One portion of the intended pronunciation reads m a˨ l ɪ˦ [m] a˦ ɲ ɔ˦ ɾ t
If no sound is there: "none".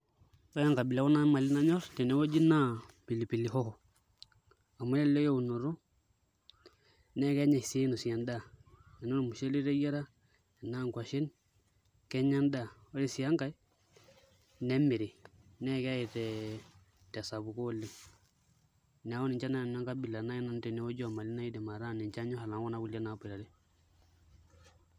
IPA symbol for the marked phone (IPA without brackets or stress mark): n